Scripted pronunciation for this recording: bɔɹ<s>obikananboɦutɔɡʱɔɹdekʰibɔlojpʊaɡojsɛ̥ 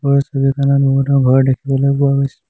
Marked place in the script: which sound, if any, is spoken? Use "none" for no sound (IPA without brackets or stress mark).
s